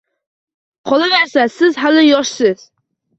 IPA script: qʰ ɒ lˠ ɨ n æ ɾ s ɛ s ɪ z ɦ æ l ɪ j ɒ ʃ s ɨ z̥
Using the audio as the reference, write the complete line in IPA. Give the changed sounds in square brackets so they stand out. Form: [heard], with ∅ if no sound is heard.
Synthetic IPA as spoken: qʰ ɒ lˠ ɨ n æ ɾ s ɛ s ɪ z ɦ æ l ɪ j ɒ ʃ s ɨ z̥